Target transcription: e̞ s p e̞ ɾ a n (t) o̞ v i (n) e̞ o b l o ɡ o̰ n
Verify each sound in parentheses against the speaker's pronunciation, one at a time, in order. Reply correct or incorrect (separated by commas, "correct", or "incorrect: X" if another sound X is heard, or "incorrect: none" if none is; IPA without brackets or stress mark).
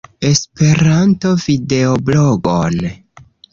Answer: correct, incorrect: d